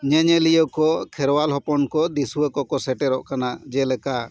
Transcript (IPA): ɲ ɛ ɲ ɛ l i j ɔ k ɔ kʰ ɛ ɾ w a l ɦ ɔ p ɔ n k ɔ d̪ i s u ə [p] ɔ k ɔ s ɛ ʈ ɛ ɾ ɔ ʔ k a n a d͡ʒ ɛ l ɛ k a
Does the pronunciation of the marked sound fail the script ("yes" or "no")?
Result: yes